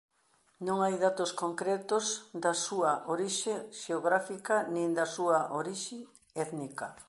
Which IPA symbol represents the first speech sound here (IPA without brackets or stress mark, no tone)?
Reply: n